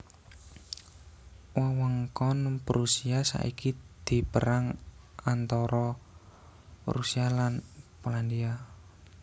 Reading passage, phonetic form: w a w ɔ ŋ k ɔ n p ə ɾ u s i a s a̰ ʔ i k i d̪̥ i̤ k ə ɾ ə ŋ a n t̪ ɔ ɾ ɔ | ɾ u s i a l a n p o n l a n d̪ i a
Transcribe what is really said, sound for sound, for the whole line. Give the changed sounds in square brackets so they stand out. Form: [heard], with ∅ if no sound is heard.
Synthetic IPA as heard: w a w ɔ ŋ k ɔ n p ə ɾ u s i a s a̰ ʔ i k i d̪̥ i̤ [p] ə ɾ [a] ŋ a n t̪ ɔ ɾ ɔ | ɾ u s i a l a n p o [∅] l a n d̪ i a